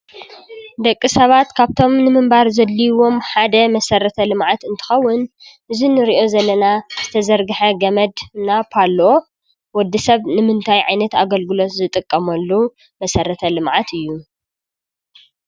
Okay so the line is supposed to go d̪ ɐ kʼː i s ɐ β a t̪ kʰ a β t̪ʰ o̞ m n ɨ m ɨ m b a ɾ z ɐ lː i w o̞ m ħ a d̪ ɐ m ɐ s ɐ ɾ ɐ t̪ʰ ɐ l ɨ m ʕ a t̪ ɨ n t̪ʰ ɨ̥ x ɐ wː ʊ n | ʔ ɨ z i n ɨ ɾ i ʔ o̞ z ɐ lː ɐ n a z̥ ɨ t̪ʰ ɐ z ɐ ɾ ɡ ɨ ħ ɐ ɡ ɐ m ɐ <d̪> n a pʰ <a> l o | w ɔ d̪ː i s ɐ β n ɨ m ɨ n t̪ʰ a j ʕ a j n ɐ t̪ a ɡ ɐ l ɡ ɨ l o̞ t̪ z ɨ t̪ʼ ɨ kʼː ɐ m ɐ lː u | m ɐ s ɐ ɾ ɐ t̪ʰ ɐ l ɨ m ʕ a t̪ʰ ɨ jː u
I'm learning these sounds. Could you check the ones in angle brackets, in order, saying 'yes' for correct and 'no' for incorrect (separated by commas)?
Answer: yes, yes